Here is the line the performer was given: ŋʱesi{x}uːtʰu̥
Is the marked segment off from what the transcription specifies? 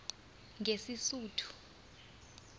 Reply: yes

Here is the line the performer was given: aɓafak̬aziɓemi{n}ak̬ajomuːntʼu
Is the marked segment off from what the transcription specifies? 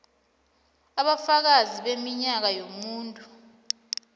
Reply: yes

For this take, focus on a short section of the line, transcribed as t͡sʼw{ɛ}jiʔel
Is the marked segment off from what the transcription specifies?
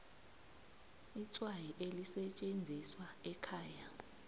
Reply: yes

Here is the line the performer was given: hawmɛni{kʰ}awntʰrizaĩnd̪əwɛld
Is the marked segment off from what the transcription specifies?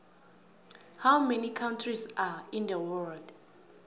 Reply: no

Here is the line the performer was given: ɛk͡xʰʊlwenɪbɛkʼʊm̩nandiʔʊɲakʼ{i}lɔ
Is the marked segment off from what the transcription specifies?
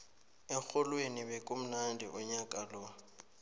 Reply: yes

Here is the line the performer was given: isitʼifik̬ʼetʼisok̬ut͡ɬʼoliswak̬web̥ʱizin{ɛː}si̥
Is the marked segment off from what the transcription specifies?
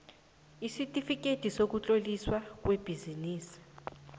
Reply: yes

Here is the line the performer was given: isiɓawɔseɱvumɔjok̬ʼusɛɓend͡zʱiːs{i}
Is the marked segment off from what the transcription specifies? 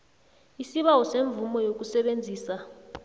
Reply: yes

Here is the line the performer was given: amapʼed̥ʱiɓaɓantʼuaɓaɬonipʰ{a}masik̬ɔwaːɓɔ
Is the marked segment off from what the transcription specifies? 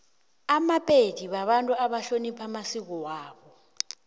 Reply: no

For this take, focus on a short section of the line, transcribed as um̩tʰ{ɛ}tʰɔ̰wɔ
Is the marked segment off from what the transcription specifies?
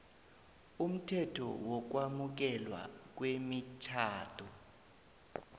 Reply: no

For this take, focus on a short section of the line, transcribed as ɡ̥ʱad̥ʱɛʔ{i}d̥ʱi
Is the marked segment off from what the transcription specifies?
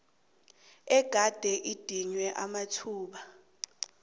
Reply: no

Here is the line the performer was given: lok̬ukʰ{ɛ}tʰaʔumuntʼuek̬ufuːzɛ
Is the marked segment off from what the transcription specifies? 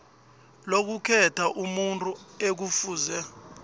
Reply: no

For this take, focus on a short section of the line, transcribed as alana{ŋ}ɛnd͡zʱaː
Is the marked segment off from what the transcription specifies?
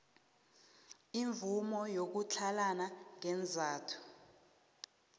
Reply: no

